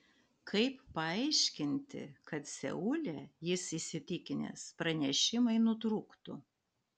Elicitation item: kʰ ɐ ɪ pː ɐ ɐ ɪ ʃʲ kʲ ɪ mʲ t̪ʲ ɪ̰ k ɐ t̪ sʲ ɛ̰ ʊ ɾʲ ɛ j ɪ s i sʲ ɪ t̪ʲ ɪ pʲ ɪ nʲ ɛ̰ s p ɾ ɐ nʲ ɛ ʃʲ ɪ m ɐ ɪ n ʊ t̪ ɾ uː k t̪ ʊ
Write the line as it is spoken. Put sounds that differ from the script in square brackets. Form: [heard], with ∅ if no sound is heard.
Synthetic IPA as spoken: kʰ ɐ ɪ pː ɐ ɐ ɪ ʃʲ kʲ ɪ [nʲ] t̪ʲ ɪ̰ k ɐ t̪ sʲ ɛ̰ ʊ [lʲ] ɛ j ɪ s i sʲ ɪ t̪ʲ ɪ [kʲ] ɪ nʲ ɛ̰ s p ɾ ɐ nʲ ɛ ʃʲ ɪ m ɐ ɪ n ʊ t̪ ɾ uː k t̪ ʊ